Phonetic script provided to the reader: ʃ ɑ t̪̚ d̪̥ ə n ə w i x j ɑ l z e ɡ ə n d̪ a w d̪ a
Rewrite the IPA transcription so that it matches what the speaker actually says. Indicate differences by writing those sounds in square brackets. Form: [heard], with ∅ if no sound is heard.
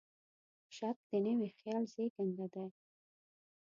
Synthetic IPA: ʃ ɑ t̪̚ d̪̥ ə n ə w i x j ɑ l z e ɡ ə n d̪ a [∅] d̪ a